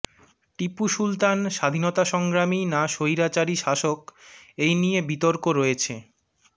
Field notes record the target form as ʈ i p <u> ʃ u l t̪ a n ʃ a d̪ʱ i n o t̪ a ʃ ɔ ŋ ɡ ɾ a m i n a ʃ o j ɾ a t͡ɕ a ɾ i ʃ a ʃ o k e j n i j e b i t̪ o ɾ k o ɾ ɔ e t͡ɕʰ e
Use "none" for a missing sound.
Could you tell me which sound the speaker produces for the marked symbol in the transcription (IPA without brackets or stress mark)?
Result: u